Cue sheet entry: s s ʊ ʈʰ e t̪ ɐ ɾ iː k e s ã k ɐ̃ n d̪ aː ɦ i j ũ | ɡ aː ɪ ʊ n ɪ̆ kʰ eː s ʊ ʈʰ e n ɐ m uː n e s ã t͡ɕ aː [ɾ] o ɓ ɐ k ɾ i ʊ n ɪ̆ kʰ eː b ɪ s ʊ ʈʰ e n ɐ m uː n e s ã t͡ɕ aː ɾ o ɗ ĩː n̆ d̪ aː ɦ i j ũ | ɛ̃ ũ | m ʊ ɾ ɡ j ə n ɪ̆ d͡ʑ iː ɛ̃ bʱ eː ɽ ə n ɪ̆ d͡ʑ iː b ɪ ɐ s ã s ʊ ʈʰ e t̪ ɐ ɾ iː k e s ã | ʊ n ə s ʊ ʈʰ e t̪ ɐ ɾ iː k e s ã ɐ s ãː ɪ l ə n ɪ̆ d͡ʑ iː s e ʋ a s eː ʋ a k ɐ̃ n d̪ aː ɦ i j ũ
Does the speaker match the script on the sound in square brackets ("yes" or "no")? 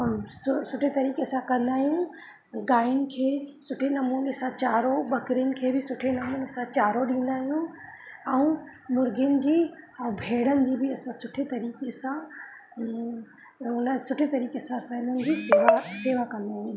yes